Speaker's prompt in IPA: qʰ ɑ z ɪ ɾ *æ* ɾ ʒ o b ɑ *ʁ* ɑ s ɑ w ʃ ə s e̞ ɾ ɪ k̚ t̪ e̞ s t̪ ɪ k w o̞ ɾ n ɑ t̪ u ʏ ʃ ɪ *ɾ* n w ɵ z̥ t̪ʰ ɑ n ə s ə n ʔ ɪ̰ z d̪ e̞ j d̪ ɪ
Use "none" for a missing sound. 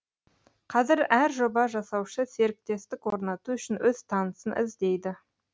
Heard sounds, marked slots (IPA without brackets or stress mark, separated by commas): æ, ʒ, none